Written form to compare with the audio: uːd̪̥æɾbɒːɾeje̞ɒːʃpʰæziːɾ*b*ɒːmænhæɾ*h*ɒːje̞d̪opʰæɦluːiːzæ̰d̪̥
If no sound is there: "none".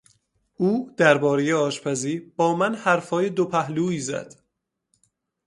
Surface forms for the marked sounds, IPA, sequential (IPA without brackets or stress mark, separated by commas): b, f